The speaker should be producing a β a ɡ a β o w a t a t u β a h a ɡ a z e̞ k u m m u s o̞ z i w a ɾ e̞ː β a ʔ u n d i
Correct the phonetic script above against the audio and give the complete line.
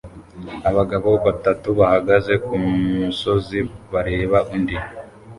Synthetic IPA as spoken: a β a ɡ a β o β a t a t u β a h a ɡ a z e̞ k u m m u s o̞ z i β a ɾ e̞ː β a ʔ u n d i